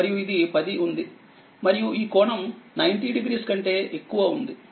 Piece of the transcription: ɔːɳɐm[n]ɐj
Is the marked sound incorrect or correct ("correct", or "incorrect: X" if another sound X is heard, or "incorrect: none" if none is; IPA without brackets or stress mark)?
correct